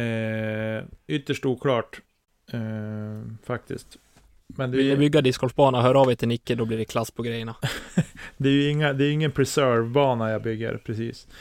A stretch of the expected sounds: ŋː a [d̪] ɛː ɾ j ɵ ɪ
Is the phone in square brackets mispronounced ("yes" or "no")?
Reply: no